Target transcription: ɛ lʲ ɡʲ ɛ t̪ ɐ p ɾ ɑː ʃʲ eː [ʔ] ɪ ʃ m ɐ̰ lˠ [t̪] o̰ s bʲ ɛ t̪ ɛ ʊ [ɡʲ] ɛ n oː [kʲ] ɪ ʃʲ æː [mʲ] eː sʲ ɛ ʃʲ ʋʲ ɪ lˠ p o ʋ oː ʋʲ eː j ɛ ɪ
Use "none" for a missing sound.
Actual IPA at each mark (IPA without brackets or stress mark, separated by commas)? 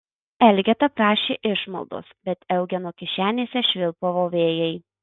ʔ, d̪, ɡʲ, kʲ, nʲ